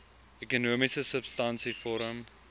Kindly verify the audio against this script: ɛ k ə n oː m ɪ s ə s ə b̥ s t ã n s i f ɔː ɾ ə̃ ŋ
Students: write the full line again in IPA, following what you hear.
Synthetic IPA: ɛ k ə n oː m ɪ s ə s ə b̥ s t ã n s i f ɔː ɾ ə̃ m